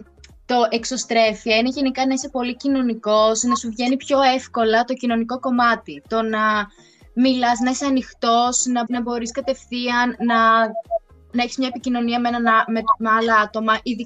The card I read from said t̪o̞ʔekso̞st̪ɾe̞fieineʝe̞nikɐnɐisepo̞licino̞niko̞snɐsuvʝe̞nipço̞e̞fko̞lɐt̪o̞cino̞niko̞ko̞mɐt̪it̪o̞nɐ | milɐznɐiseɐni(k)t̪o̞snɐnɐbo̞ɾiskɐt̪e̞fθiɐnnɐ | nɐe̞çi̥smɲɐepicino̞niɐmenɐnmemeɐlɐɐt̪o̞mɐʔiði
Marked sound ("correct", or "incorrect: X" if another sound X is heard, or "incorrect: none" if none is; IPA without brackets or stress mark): incorrect: x